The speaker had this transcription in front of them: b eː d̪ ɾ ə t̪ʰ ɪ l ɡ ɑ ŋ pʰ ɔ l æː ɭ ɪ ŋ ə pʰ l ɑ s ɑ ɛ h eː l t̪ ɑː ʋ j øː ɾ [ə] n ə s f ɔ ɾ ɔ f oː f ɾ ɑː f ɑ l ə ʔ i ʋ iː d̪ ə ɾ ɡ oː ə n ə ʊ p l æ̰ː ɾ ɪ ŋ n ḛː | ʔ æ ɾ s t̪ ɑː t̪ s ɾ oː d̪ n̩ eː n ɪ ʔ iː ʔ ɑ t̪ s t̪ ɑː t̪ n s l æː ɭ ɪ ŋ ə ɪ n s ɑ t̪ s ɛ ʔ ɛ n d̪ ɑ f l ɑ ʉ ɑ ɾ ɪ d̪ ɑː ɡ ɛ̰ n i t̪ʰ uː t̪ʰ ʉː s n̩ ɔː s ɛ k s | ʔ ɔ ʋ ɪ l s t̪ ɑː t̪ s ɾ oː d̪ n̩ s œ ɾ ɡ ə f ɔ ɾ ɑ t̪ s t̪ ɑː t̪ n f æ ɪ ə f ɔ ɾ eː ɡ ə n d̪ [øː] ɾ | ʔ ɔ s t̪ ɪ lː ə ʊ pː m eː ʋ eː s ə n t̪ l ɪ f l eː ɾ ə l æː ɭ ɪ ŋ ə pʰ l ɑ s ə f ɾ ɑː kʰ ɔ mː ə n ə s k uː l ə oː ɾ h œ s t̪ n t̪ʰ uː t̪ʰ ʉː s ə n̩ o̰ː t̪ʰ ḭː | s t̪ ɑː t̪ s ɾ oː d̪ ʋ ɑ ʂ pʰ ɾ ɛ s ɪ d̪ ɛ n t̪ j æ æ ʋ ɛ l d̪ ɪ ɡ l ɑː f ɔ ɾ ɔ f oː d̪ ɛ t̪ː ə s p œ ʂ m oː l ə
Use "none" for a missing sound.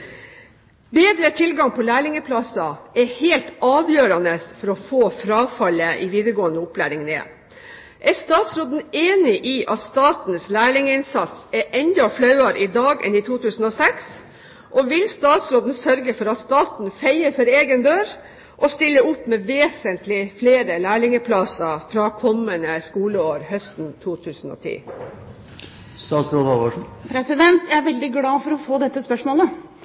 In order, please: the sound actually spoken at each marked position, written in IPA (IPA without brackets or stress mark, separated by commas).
ɑ, øː